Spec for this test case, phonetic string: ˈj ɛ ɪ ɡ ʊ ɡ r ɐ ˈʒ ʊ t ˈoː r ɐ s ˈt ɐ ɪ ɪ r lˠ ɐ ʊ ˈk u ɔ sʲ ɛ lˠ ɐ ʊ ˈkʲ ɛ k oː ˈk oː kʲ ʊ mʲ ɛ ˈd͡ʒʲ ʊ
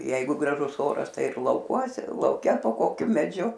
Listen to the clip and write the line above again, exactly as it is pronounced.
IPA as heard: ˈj ɛ ɪ ɡ ʊ ɡ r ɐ ˈʒ ʊ s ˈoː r ɐ s ˈt ɐ ɪ ɪ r lˠ ɐ ʊ ˈk u ɔ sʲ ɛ lˠ ɐ ʊ ˈkʲ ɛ p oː ˈk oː kʲ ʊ mʲ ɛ ˈd͡ʒʲ ʊ

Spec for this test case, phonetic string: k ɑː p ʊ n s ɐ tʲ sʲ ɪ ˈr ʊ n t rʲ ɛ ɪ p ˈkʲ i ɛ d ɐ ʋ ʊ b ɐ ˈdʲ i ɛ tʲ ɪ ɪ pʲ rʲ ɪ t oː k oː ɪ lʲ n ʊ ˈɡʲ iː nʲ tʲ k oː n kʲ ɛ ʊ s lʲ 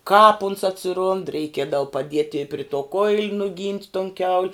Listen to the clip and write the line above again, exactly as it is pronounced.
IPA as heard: k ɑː p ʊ n s ɐ tʲ sʲ ɪ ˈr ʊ n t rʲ ɛ ɪ ˈkʲ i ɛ d ɐ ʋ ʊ p ɐ ˈdʲ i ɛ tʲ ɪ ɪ pʲ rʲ ɪ t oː k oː ɪ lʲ n ʊ ˈɡʲ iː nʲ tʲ t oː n kʲ ɛ ʊ lʲ

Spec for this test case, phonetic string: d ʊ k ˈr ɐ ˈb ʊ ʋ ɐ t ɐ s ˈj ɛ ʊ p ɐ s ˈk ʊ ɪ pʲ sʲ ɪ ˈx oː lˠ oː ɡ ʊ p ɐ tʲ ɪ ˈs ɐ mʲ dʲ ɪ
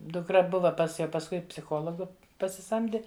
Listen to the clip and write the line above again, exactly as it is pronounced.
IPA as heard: d ʊ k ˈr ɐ ˈb ʊ ʋ ɐ p ɐ s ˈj ɛ ʊ p ɐ s ˈk ʊ ɪ pʲ sʲ ɪ ˈx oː lˠ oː ɡ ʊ p ɐ sʲ ɪ ˈs ɐ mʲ dʲ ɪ

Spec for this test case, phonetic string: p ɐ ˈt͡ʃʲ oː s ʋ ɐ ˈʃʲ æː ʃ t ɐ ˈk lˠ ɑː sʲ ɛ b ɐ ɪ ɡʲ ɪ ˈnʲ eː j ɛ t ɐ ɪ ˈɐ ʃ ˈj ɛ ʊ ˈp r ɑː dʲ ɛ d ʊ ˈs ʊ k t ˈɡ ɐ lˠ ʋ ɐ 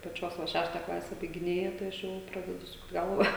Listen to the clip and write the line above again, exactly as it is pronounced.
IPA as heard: p ɐ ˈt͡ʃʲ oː s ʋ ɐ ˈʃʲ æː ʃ t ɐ ˈk lˠ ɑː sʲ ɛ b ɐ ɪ ɡʲ ɪ ˈnʲ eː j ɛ t ɐ ɪ ˈɐ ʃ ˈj ɛ ʊ ˈp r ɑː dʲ ɛ d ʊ ˈs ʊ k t ˈɡ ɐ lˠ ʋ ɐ

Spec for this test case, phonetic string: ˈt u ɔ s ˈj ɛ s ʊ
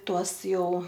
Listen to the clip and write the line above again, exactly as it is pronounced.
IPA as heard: ˈt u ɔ s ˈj ɛ ʊ

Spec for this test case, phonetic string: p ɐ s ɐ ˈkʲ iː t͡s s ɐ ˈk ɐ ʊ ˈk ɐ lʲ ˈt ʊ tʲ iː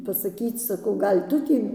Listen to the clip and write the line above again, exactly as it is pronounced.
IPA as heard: p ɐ s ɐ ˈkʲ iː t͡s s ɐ ˈk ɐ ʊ ˈɡ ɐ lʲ ˈt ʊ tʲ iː

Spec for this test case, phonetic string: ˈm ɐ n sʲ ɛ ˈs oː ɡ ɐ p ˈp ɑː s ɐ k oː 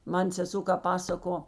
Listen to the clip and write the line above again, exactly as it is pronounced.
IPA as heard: ˈm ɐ n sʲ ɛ ˈs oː k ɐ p ˈp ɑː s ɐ k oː

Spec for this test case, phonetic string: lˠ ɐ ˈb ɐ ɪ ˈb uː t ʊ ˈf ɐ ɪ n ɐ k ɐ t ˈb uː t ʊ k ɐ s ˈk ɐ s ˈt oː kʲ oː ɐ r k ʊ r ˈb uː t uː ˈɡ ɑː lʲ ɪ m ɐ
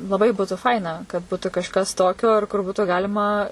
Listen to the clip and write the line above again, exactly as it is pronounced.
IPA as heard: lˠ ɐ ˈb ɐ ɪ ˈb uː t ʊ ˈf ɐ ɪ n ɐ k ɐ t ˈb uː t ʊ k ɐ ʃ ˈk ɐ s ˈt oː kʲ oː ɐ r k ʊ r ˈb uː t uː ˈɡ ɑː lʲ ɪ m ɐ

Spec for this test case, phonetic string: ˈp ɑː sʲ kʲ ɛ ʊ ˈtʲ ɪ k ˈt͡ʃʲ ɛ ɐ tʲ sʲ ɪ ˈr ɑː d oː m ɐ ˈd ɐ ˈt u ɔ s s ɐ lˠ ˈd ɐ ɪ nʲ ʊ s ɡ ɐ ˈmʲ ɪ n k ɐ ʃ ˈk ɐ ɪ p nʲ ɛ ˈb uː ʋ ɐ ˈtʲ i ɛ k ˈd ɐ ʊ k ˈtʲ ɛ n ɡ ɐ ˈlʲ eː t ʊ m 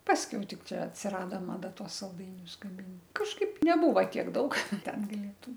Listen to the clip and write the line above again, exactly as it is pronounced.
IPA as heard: ˈp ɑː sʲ kʲ ɛ ʊ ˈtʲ ɪ k ˈt͡ʃʲ ɛ ɐ tʲ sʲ ɪ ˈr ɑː d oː m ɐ ˈd ɐ ˈt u ɔ s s ɐ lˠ ˈd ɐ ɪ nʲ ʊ s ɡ ɐ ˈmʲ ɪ n k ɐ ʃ ˈk ɐ ɪ p nʲ ɛ ˈb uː ʋ ɐ ˈtʲ i ɛ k ˈd ɐ ʊ k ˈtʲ ɛ n ɡ ɐ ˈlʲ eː t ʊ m

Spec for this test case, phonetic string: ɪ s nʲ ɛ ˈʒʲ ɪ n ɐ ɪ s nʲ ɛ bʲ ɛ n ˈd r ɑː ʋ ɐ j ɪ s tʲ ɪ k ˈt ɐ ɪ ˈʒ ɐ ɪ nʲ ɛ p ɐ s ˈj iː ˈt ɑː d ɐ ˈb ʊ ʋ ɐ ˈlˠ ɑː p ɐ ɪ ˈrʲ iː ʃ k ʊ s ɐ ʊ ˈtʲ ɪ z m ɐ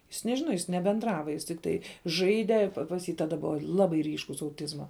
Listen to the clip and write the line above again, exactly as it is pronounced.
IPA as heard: ɪ s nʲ ɛ ˈʒʲ ɪ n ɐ ɪ s nʲ ɛ bʲ ɛ n ˈd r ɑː ʋ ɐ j ɪ s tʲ ɪ k ˈt ɐ ɪ ˈʒ ɐ ɪ dʲ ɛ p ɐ s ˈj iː ˈt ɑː d ɐ ˈb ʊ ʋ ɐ ˈlˠ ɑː b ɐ ɪ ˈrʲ iː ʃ k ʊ s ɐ ʊ ˈtʲ ɪ z m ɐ

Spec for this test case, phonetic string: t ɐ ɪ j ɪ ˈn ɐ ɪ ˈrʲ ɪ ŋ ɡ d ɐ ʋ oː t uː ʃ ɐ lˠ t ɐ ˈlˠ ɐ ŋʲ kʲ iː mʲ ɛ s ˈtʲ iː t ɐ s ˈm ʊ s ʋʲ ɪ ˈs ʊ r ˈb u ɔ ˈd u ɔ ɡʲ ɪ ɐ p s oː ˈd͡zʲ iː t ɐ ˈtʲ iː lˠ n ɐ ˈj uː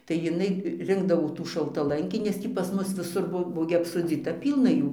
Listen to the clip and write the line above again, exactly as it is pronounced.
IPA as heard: t ɐ ɪ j ɪ ˈn ɐ ɪ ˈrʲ ɪ ŋ ɡ d ɐ ʋ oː t uː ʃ ɐ lˠ t ɐ ˈlˠ ɐ ŋʲ kʲ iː nʲ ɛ s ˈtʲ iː p ɐ s ˈm ʊ s ʋʲ ɪ ˈs ʊ r ˈb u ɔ ˈb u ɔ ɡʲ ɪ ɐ p s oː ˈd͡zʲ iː t ɐ ˈpʲ iː lˠ n ɐ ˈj uː

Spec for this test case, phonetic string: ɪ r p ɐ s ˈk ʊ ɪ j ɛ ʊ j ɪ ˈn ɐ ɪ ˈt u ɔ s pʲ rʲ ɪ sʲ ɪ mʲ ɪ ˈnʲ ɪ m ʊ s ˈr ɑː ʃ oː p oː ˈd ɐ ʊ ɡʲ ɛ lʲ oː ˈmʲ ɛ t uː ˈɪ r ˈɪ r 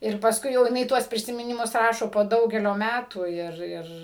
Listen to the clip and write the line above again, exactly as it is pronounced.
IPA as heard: ɪ r p ɐ s ˈk ʊ ɪ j ɛ ʊ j ɪ ˈn ɐ ɪ ˈt u ɔ s pʲ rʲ ɪ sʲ ɪ mʲ ɪ ˈnʲ ɪ m ʊ s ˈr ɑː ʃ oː p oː ˈd ɐ ʊ ɡʲ ɛ lʲ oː ˈmʲ æ t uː ˈɪ r ˈɪ r

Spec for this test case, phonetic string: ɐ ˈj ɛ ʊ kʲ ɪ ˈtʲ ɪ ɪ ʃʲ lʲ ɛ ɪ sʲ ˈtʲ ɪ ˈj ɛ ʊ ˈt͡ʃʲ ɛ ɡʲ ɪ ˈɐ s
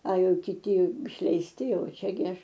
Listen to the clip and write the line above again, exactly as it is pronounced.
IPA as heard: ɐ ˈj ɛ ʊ kʲ ɪ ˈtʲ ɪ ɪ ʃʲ lʲ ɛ ɪ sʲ ˈtʲ ɪ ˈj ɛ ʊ ˈt͡ʃʲ ɛ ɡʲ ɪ ˈɐ ʃ

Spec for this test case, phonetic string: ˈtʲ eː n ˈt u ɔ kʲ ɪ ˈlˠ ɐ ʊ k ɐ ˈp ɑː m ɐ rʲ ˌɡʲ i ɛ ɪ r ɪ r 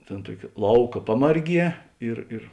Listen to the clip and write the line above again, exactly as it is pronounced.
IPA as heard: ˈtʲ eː n ˈt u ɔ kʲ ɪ ˈlˠ ɐ ʊ k ɐ ˈp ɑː m ɐ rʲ ˌɡʲ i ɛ ɪ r ɪ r

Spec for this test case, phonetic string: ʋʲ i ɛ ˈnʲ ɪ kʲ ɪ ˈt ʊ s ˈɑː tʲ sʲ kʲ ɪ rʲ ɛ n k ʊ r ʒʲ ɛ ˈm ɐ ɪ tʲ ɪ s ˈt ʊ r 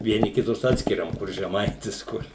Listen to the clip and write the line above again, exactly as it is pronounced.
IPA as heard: ʋʲ i ɛ ˈnʲ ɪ kʲ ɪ ˈt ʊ s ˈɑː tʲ sʲ kʲ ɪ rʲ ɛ m k ʊ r ʒʲ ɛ ˈm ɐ ɪ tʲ ɪ s ˈk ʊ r

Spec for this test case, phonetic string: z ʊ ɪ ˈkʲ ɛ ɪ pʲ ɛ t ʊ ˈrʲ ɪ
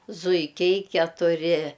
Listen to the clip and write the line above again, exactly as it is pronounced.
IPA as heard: z ʊ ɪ ˈkʲ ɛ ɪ kʲ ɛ t ʊ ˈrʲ ɪ

